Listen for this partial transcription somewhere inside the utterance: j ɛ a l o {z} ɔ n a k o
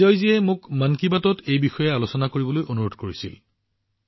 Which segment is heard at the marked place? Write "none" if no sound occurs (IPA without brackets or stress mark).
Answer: s